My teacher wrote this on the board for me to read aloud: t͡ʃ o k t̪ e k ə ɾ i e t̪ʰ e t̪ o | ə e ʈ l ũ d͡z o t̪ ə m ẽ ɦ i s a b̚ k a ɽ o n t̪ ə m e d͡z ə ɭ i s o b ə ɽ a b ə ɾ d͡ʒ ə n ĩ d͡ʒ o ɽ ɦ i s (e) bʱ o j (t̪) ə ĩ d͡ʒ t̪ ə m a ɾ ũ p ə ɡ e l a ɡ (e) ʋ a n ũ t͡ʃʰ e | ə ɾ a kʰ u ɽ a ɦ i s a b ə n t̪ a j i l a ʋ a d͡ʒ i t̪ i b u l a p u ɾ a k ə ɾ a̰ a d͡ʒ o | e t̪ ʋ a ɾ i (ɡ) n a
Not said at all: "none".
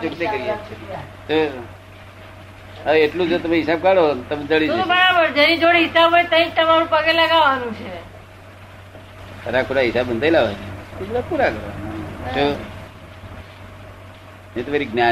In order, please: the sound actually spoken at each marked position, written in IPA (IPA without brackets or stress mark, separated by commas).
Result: a, t̪, a, ɡ